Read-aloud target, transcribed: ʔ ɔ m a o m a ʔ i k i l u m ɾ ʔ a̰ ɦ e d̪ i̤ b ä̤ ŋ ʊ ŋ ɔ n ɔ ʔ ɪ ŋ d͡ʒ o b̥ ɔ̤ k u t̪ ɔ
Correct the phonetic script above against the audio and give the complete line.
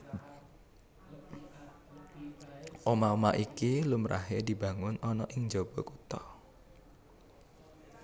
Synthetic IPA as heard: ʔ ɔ m a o m a ʔ i k i l u m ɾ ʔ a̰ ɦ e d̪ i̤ b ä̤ ŋ ʊ n ɔ n ɔ ʔ ɪ ŋ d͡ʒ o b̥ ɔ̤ k u t̪ ɔ